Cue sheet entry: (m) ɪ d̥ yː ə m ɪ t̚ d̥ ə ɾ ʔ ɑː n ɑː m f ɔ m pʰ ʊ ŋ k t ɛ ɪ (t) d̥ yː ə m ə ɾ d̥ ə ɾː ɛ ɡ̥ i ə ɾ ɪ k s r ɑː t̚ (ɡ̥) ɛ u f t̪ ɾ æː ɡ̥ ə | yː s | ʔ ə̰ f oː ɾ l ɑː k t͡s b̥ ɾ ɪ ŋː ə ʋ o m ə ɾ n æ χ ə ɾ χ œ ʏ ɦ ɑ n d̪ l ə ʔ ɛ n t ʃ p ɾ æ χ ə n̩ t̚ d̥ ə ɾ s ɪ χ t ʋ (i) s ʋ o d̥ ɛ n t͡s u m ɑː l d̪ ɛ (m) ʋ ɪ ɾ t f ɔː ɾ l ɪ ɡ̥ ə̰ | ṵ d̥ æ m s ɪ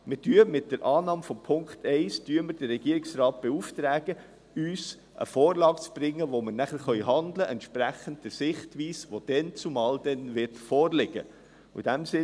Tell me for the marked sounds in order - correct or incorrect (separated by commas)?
correct, incorrect, incorrect, incorrect, incorrect